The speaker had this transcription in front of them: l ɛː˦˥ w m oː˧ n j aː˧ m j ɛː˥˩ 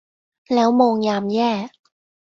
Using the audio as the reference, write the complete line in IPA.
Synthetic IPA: l ɛː˦˥ w m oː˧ ŋ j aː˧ m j ɛː˥˩